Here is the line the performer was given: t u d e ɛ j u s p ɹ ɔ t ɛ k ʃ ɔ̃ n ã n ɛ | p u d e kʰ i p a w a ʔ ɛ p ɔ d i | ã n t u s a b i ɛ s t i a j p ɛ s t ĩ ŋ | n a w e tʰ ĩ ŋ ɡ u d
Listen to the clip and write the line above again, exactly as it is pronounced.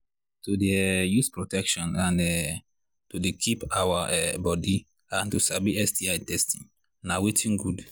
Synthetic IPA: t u d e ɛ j u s p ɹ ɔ t ɛ k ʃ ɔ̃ n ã n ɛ | t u d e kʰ i p a w a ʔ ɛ b ɔ d i | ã n t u s a b i ɛ s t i a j t ɛ s t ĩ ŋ | n a w e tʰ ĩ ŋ ɡ u d